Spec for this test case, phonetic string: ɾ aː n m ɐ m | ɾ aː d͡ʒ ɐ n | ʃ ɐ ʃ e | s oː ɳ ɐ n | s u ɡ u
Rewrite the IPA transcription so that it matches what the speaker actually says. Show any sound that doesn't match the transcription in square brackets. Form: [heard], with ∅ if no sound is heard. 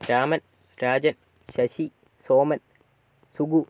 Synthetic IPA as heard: ɾ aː [∅] m ɐ [n] | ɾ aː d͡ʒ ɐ n | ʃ ɐ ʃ [i] | s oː [m] ɐ n | s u ɡ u